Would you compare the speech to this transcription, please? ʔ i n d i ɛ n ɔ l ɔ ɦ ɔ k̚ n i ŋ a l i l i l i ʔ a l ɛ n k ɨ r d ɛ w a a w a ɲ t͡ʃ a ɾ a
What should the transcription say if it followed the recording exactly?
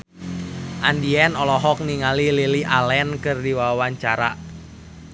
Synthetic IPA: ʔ a n d i ɛ n ɔ l ɔ ɦ ɔ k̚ n i ŋ a l i l i l i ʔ a l ɛ n k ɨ r d i w a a w a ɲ t͡ʃ a ɾ a